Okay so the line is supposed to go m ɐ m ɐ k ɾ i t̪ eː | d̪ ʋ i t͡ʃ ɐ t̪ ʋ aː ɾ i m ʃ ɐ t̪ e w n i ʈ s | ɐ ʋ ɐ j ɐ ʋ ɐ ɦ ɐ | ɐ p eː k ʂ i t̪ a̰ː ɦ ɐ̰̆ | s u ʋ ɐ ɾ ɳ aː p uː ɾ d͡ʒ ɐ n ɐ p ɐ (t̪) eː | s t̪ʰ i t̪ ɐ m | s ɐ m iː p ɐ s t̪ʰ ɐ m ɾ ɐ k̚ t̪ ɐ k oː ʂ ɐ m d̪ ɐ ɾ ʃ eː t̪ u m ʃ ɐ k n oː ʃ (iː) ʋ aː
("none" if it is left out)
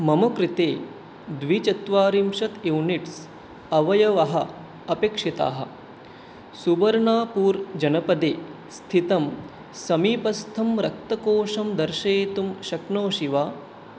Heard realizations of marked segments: d̪, i

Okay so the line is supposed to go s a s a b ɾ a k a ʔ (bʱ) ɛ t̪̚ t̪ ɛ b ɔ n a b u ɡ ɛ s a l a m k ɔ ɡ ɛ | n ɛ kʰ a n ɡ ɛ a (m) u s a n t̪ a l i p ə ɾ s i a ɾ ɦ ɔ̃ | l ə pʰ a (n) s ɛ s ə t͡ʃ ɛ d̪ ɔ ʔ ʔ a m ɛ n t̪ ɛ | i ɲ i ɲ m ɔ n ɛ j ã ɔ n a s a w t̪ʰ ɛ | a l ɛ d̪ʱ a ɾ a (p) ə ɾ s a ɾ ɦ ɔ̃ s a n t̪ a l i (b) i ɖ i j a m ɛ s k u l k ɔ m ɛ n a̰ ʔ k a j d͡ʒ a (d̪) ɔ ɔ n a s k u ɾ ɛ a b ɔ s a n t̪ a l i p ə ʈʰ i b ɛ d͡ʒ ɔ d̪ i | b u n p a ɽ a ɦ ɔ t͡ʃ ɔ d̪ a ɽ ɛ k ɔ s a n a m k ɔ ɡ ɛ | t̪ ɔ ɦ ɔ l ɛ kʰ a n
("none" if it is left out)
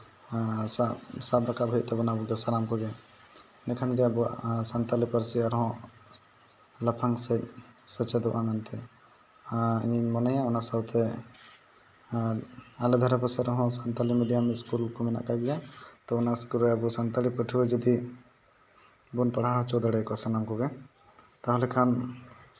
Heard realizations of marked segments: bʱ, b, ŋ, p, m, t̪

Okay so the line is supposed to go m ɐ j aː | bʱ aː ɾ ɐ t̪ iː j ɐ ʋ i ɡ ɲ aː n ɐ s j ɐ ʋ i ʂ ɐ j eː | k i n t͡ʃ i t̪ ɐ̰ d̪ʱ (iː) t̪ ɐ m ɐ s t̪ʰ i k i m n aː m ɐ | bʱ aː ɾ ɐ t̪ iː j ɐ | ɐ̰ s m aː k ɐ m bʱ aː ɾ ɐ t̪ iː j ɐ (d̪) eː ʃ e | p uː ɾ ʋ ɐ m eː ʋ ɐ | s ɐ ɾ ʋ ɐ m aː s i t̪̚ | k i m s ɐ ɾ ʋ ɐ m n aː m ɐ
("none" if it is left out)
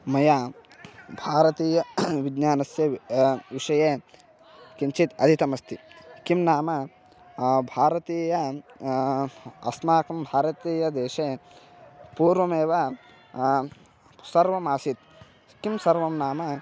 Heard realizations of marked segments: i, d̪

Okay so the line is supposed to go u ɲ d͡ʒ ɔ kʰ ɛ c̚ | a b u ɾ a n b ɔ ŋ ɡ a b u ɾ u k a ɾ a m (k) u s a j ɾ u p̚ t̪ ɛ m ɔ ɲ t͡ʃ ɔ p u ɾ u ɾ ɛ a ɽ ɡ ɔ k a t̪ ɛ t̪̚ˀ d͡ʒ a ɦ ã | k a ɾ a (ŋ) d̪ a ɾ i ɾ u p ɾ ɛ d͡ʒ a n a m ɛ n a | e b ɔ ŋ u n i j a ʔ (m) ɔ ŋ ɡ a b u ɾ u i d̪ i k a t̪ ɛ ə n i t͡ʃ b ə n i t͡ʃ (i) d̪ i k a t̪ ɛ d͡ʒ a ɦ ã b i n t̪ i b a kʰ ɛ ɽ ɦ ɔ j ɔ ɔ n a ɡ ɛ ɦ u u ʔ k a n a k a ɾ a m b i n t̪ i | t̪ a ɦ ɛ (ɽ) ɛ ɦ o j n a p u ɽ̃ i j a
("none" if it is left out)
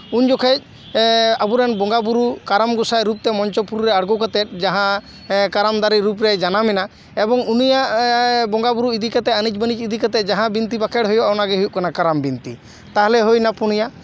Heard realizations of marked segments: ɡ, m, b, i, l

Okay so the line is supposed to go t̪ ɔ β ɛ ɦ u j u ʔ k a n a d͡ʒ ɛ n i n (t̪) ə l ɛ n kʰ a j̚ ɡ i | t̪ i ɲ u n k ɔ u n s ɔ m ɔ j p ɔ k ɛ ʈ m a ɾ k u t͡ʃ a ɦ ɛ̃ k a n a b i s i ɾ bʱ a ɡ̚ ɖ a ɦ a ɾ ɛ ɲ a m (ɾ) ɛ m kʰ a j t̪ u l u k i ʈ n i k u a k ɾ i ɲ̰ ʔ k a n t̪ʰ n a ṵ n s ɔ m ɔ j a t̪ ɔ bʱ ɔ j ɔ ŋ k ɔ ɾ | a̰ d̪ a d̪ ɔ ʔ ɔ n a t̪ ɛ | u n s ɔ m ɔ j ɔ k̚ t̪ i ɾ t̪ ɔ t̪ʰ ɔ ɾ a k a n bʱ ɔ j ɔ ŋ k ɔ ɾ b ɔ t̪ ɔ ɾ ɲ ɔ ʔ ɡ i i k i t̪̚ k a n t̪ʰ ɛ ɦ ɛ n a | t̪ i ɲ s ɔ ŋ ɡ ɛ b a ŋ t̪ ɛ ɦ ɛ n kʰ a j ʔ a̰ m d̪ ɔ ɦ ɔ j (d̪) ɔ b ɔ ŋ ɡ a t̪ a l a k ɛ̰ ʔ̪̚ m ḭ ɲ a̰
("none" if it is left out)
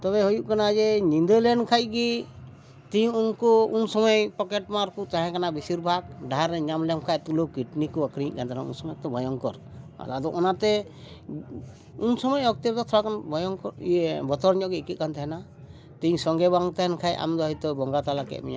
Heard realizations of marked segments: d̪, l, t̪

